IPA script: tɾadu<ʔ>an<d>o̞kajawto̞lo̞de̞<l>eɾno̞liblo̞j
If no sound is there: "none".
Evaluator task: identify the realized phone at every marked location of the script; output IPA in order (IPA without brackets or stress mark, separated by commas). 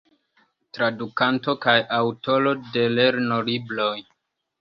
k, t, l